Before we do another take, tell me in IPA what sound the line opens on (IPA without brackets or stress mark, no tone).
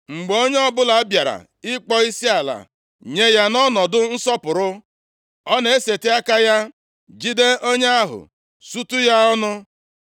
ŋ͡m̩